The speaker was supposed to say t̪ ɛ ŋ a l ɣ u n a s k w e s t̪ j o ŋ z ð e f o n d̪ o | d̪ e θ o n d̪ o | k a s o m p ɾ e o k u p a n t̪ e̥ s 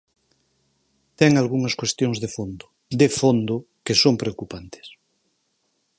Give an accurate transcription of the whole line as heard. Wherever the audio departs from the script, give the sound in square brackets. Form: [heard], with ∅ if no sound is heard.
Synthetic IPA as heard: t̪ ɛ ŋ a l ɣ u [ŋ] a s k w e s t̪ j o ŋ z ð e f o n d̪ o | d̪ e [f] o n d̪ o | k [e] s o m p ɾ e o k u p a n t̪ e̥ s